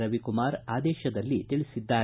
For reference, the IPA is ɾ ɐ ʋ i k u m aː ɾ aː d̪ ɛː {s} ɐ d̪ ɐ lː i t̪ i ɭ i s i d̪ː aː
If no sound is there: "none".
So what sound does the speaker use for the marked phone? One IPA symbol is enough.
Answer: ʃ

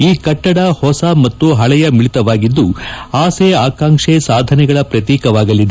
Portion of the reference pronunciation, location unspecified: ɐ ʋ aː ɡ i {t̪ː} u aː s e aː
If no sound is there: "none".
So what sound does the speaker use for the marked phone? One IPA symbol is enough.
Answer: d̪ː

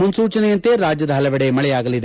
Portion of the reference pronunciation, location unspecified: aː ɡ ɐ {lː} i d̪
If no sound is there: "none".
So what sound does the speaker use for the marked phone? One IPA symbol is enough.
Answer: l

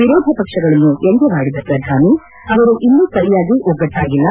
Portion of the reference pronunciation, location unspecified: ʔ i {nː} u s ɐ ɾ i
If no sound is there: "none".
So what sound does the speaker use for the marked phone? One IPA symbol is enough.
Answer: nː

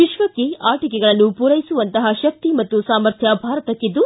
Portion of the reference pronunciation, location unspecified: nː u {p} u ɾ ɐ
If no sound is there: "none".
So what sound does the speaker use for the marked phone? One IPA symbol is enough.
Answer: p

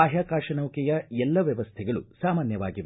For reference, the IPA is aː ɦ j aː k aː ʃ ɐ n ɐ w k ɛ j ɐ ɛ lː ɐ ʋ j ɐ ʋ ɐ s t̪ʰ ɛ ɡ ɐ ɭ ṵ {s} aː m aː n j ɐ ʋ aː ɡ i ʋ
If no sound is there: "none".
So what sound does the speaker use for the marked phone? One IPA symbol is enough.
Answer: s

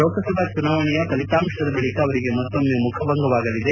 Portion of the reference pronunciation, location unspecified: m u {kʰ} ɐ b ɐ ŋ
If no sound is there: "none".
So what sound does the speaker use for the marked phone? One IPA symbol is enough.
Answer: kʰ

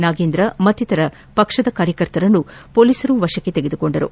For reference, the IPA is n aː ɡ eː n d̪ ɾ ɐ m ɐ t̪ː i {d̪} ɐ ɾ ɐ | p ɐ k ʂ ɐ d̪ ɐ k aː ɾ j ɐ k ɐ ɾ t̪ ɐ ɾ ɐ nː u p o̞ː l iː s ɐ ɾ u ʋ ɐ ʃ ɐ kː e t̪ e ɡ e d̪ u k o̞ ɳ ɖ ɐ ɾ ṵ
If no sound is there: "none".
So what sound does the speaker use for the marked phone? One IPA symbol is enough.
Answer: t̪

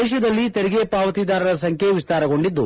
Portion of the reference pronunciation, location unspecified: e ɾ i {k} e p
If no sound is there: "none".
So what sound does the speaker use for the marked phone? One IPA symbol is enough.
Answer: ɡ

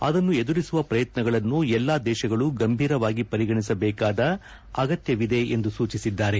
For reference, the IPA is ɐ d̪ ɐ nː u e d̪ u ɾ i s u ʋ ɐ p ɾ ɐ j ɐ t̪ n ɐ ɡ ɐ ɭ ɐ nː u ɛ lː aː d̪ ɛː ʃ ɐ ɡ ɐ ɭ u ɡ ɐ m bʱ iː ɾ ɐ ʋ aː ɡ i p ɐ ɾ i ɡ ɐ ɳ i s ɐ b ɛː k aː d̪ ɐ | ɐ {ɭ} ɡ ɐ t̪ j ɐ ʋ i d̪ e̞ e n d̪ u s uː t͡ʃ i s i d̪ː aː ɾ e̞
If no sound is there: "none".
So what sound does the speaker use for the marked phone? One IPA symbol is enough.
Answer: none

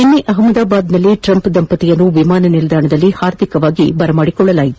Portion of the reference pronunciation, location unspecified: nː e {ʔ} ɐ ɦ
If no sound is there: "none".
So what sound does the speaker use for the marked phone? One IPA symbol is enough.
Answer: ʔ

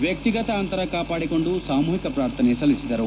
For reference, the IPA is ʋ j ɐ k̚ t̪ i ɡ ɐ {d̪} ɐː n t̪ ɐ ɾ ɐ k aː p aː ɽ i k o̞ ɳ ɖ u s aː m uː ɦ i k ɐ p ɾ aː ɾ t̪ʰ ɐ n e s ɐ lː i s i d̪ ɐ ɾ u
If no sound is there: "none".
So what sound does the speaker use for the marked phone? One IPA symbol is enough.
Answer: t̪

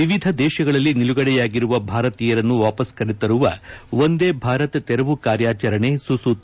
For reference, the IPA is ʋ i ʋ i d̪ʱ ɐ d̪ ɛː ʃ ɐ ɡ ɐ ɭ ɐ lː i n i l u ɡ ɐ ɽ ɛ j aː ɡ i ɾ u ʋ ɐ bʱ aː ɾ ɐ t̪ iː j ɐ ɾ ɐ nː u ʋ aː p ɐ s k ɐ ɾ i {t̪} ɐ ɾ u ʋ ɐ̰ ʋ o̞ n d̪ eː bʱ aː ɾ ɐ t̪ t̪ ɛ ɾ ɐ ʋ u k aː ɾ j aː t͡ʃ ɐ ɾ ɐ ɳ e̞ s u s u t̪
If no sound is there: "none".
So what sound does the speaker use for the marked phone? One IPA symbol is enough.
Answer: t̪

